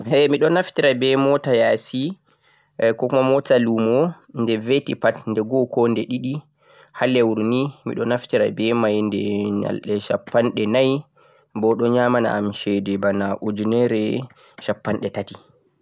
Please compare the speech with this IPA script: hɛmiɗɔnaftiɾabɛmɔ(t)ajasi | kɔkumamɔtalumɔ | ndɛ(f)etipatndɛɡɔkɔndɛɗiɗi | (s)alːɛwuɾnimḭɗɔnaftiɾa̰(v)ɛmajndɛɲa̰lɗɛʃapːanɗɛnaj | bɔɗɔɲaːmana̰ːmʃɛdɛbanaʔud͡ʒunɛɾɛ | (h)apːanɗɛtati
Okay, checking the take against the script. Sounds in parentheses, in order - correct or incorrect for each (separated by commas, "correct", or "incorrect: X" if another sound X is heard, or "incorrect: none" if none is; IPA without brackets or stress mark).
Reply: correct, incorrect: v, incorrect: h, incorrect: b, incorrect: ʃ